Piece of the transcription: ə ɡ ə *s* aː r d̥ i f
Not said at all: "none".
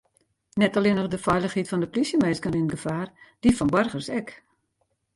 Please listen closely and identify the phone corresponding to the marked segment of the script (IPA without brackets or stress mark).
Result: f